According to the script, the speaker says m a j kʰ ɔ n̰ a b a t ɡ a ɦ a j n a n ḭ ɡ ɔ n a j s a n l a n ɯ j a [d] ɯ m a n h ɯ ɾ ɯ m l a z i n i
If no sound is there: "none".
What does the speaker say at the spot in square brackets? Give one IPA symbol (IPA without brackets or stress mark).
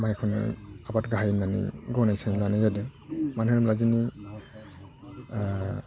d